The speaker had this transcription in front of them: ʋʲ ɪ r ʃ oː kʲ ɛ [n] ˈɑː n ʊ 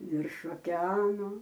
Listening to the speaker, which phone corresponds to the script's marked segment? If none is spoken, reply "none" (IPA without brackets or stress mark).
none